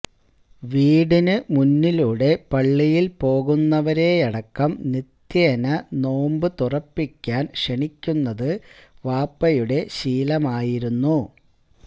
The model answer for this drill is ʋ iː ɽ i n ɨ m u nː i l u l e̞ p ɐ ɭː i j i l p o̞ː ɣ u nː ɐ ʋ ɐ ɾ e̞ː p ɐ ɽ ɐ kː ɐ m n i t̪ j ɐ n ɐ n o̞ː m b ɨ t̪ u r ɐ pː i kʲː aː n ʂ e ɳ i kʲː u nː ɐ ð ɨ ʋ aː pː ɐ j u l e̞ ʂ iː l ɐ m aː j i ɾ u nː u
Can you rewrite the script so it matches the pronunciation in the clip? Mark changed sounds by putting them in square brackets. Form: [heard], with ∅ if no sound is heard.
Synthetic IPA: ʋ iː ɽ i n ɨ m u nː i l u [ɽ] e̞ p ɐ ɭː i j i l p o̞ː ɣ u nː ɐ ʋ ɐ ɾ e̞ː [∅] ɐ ɽ ɐ kː ɐ m n i t̪ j ɐ n ɐ n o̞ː m b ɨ t̪ u r ɐ pː i kʲː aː n ʂ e ɳ i kʲː u nː ɐ ð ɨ ʋ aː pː ɐ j u [ɽ] e̞ [ɕ] iː l ɐ m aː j i ɾ u nː u